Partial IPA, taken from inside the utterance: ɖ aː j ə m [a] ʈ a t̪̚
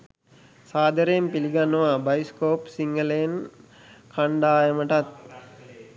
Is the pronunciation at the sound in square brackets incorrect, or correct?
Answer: incorrect